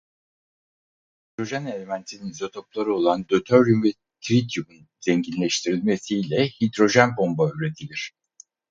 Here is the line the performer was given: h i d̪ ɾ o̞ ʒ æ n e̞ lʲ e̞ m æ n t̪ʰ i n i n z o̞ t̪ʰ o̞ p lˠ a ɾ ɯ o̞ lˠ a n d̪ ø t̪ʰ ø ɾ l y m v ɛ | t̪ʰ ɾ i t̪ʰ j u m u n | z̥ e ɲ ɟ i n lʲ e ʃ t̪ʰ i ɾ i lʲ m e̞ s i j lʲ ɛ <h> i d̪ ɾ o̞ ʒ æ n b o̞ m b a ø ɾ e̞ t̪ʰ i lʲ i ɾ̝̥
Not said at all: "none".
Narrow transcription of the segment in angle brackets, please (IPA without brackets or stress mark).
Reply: h